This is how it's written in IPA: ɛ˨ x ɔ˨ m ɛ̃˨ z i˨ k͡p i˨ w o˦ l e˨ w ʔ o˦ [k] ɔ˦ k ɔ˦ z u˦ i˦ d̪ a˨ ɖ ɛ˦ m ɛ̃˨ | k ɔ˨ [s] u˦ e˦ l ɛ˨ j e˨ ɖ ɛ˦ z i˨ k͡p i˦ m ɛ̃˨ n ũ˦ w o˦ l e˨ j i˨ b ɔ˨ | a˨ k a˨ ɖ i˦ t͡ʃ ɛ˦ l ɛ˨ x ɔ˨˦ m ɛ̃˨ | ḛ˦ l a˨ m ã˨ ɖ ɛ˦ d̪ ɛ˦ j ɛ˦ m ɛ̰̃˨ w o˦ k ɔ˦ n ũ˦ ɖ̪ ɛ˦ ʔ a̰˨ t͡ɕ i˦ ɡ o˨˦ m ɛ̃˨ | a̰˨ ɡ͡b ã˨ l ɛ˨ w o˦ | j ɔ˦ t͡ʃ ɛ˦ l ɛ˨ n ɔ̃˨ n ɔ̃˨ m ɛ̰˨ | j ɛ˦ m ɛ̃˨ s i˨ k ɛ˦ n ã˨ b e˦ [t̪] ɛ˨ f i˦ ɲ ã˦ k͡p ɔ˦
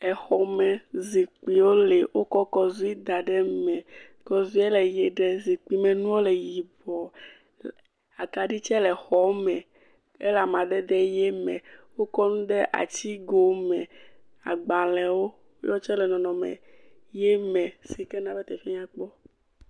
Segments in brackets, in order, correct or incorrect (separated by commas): correct, incorrect, correct